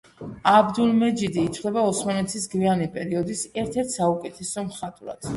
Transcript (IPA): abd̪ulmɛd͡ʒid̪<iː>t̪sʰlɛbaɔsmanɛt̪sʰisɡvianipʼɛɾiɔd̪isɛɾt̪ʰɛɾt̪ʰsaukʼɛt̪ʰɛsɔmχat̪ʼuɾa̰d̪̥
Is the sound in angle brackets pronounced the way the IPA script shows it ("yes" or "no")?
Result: yes